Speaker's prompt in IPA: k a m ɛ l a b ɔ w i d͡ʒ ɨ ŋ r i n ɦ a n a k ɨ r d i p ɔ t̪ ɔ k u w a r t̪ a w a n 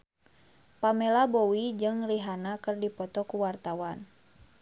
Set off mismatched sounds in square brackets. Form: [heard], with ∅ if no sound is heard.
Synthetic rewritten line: [p] a m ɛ l a b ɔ w i d͡ʒ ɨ ŋ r i [∅] ɦ a n a k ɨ r d i p ɔ t̪ ɔ k u w a r t̪ a w a n